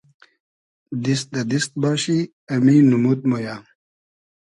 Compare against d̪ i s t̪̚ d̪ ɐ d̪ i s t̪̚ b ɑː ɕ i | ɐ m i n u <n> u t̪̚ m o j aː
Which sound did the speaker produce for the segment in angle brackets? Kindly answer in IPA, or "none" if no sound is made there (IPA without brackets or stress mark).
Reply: m